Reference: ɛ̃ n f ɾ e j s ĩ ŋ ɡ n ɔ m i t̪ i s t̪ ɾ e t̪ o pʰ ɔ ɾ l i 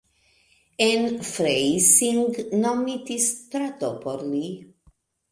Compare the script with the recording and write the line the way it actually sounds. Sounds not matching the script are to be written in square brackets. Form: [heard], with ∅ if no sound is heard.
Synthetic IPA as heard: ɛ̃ n f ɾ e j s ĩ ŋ ɡ n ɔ m i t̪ i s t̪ ɾ [a] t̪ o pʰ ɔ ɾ l i